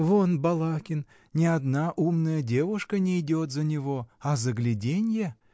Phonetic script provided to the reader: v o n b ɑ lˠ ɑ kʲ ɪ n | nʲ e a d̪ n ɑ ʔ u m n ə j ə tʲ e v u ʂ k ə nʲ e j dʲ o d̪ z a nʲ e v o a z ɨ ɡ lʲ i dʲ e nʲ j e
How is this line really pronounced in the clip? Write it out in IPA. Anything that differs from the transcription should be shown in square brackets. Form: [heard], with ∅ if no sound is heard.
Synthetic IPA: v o n b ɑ lˠ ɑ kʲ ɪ n | nʲ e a d̪ n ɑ ʔ u m n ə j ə [dʲ] e v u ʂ k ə nʲ e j dʲ o [t̪] z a nʲ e v o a z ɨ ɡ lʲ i dʲ e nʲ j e

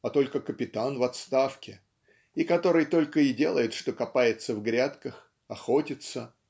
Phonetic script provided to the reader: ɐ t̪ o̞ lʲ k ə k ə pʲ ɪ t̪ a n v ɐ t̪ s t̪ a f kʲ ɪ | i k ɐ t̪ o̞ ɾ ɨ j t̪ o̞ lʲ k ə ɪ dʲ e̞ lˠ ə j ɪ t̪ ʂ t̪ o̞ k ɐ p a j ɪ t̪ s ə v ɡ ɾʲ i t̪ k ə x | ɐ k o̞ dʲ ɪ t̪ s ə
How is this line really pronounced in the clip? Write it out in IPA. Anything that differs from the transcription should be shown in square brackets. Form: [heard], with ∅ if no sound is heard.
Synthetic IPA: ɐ t̪ o̞ lʲ k ə k ə pʲ ɪ t̪ a n v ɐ t̪ s t̪ a f kʲ ɪ | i k ɐ t̪ o̞ ɾ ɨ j t̪ o̞ lʲ k ə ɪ dʲ e̞ lˠ ə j ɪ t̪ ʂ t̪ o̞ k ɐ p a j ɪ t̪ s ə v ɡ ɾʲ [a] t̪ k ə x | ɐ [x] o̞ [tʲ] ɪ t̪ s ə

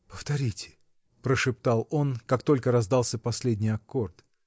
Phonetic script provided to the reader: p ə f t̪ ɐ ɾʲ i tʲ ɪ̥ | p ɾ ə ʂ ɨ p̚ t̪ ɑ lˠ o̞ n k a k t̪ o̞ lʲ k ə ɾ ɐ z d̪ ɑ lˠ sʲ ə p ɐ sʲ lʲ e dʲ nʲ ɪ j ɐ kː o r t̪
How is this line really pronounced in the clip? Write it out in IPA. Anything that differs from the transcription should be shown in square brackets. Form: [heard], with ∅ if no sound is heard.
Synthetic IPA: p ə f t̪ ɐ ɾʲ i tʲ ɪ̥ | p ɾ ə ʂ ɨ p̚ t̪ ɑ lˠ o̞ n k a k t̪ o̞ lʲ k ə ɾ ɐ z d̪ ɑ lˠ sʲ ə p ɐ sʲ lʲ e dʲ nʲ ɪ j ɐ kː o r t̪

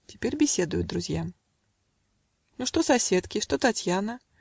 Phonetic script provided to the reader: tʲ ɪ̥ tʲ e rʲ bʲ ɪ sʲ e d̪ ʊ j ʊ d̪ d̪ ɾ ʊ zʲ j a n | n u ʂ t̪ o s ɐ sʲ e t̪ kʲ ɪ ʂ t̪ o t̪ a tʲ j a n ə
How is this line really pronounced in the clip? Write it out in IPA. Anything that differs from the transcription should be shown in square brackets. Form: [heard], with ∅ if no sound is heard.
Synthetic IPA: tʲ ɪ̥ [pʲ] e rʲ bʲ ɪ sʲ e d̪ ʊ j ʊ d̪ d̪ ɾ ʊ zʲ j a [m] | n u ʂ t̪ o s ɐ sʲ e t̪ kʲ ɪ ʂ t̪ o t̪ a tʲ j a n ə

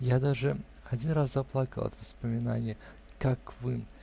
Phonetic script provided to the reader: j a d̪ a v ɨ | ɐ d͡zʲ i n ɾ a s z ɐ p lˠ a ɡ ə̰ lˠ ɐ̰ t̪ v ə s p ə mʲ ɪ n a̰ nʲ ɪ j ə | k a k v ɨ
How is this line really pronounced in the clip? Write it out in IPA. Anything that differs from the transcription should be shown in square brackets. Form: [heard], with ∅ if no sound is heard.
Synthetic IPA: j a d̪ a [ʐ] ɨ | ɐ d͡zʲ i n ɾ a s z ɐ p lˠ a [k] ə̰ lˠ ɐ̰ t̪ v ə s p ə mʲ ɪ n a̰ nʲ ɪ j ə | k a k v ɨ

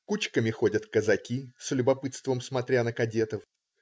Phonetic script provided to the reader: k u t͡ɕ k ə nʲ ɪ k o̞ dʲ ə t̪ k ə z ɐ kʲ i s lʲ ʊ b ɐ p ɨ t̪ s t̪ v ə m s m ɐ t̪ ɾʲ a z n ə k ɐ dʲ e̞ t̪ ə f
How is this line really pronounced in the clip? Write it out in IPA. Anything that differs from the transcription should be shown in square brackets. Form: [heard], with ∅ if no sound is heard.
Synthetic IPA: k u t͡ɕ k ə [mʲ] ɪ [x] o̞ dʲ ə t̪ k ə z ɐ kʲ i s lʲ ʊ b ɐ p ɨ t̪ s t̪ v ə m s m ɐ t̪ ɾʲ a [∅] n ə k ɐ dʲ e̞ t̪ ə f

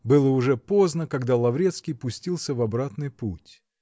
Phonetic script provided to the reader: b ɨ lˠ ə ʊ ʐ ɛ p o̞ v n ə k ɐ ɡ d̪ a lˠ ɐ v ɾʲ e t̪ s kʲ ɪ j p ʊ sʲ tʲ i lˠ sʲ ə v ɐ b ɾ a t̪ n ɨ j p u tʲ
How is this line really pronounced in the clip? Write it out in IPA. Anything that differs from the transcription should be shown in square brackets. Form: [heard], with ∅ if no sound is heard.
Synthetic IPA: b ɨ lˠ ə ʊ ʐ ɛ p o̞ [z] n ə k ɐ ɡ d̪ a lˠ ɐ v ɾʲ e t̪ s kʲ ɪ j p ʊ sʲ tʲ i lˠ sʲ ə v ɐ b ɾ a t̪ n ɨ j p u tʲ

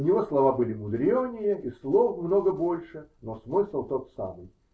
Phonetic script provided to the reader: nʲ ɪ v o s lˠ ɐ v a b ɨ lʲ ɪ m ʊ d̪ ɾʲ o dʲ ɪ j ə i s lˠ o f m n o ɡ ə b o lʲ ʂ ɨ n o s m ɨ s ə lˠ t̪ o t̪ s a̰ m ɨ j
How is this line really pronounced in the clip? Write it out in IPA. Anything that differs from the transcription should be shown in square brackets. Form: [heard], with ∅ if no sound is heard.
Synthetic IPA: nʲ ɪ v o s lˠ ɐ v a b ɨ lʲ ɪ m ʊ d̪ ɾʲ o [nʲ] ɪ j ə i s lˠ o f m n o ɡ ə b o lʲ ʂ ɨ n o s m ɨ s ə lˠ t̪ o t̪ s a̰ m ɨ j

